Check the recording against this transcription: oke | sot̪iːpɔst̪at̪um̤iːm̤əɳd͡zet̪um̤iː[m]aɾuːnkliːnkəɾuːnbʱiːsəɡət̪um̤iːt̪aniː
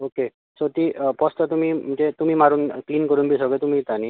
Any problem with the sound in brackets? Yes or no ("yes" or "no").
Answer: no